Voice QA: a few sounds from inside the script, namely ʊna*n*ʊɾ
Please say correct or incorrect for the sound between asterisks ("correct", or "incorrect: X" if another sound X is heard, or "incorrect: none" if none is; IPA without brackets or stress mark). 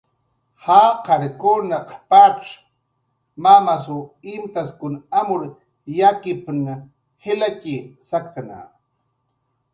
incorrect: m